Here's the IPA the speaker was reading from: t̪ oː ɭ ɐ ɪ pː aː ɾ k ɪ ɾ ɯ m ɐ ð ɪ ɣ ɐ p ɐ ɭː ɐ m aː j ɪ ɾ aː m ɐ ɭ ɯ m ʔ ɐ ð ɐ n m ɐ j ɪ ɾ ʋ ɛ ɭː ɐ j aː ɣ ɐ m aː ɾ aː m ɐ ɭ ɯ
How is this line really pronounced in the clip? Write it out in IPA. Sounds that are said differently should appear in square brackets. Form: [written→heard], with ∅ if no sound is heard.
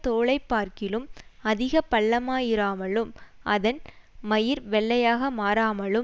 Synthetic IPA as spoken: t̪ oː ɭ ɐ ɪ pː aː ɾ k ɪ [ɾ→l] ɯ m ɐ ð ɪ ɣ ɐ p ɐ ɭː ɐ m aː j ɪ ɾ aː m ɐ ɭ ɯ m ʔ ɐ ð ɐ n m ɐ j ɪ ɾ ʋ ɛ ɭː ɐ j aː ɣ ɐ m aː ɾ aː m ɐ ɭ ɯ